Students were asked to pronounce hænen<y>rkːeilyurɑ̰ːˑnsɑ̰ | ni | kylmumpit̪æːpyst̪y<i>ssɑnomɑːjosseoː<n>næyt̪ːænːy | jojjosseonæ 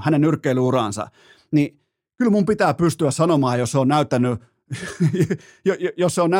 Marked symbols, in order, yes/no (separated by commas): yes, no, yes